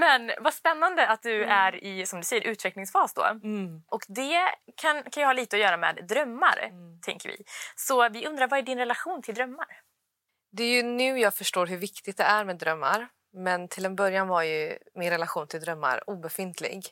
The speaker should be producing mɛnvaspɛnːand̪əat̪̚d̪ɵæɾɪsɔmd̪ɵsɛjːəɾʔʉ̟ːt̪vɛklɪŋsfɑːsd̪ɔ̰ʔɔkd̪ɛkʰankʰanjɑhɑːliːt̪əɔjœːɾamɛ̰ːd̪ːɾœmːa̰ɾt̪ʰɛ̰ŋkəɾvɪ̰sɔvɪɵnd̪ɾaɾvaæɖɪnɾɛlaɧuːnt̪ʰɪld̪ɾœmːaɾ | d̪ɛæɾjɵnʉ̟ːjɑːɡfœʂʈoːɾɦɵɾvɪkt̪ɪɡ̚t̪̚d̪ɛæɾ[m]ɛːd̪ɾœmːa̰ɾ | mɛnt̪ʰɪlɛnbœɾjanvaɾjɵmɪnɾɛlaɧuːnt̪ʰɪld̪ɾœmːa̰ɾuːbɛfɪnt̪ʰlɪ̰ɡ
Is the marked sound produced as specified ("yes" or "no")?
yes